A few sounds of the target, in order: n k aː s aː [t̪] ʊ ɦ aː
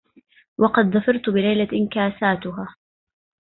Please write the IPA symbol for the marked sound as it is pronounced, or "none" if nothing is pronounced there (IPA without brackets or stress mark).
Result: t̪